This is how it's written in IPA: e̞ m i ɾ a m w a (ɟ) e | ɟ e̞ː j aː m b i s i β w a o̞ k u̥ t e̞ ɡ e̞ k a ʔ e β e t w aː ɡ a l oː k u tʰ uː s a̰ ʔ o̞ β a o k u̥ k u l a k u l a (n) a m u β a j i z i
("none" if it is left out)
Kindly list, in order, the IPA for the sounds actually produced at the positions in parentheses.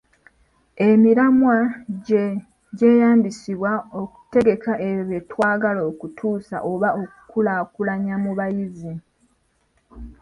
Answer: ɟ, ɲ

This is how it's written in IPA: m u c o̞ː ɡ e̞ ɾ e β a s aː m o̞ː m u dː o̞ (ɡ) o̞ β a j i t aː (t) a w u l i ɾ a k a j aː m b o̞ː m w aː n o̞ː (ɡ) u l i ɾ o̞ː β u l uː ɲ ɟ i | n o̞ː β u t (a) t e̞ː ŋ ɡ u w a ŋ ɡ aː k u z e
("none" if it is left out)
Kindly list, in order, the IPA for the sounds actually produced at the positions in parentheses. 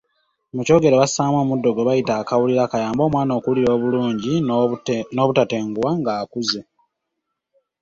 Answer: ɡ, k, k, a

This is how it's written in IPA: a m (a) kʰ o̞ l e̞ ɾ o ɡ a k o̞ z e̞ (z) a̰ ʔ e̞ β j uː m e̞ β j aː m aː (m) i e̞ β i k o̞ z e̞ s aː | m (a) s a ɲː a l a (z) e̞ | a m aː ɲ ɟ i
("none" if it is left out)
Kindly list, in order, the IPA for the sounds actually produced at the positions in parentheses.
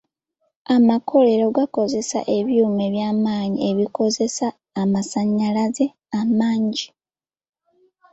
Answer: a, s, ɲ, a, z

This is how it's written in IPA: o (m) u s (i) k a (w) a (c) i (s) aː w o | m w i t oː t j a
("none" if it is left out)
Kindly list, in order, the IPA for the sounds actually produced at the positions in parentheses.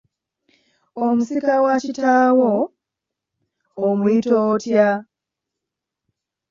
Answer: m, i, w, c, t

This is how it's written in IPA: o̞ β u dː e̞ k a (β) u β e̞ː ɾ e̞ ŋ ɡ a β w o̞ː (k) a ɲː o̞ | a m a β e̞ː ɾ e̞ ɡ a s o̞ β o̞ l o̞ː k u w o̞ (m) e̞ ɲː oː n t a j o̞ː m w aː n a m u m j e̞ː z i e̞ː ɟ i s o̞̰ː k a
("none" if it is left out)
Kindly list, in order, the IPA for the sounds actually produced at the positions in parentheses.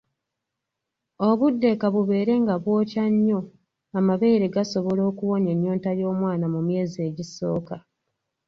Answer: β, c, ɲ

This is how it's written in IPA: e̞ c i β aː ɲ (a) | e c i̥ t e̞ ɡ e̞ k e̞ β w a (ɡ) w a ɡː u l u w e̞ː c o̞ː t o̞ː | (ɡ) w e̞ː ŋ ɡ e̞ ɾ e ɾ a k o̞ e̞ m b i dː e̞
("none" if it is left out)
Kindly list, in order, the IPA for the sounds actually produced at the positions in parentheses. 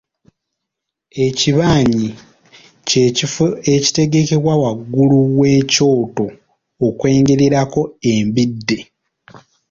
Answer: i, none, k

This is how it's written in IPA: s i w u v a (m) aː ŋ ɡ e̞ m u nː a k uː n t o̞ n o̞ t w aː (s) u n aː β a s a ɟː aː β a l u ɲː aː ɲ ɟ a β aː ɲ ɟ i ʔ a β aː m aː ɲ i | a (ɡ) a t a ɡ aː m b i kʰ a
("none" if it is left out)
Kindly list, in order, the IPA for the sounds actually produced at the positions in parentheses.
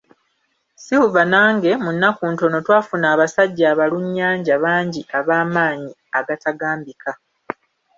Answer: n, f, ɡ

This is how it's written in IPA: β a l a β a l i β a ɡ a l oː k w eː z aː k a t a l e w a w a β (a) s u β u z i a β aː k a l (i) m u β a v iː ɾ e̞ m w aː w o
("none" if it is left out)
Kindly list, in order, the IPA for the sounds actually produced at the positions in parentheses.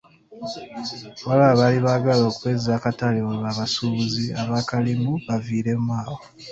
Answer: a, i

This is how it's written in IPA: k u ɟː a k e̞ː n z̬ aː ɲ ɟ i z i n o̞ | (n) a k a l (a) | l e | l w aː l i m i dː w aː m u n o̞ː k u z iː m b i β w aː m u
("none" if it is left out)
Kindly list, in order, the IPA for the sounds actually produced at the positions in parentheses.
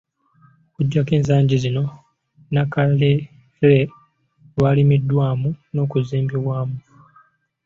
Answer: n, e

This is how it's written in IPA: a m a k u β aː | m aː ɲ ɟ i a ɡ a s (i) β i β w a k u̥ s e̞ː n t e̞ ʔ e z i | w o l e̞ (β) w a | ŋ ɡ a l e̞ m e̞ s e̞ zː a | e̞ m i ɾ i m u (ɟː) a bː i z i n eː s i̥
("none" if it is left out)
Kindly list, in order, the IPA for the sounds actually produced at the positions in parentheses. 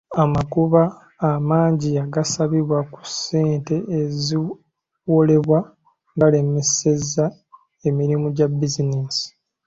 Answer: a, β, ɟ

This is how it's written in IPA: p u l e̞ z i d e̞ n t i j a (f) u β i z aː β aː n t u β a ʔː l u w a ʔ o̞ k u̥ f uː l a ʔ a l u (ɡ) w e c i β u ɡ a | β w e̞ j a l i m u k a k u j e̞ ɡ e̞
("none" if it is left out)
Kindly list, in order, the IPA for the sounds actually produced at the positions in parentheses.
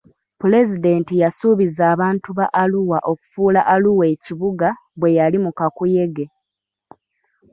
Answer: s, none

